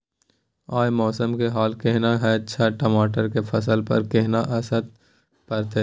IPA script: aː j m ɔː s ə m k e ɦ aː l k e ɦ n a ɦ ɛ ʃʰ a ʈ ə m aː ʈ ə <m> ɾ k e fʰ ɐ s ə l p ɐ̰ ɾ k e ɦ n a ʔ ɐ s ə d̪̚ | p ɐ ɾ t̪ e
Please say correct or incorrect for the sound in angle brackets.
incorrect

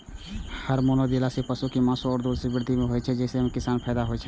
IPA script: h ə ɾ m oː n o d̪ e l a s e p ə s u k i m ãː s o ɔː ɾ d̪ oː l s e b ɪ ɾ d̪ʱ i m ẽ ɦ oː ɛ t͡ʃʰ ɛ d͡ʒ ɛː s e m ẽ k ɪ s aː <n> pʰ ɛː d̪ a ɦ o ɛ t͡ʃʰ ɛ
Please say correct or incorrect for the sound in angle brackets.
correct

